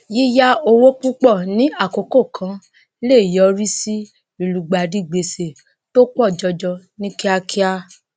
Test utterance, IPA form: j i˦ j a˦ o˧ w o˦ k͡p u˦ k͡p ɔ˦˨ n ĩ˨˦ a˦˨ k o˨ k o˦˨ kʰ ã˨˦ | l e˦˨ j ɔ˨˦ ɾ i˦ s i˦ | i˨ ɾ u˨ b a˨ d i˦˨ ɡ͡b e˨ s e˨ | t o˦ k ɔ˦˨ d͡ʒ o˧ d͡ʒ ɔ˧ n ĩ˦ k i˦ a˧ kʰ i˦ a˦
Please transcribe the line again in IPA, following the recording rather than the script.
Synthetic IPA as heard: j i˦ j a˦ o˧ w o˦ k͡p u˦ k͡p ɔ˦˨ n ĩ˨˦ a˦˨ k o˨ k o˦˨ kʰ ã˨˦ | l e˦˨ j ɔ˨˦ ɾ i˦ s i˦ | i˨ l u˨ ɡ͡b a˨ d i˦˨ ɡ͡b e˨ s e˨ | t o˦ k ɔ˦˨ d͡ʒ ɔ˧ d͡ʒ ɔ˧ n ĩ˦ k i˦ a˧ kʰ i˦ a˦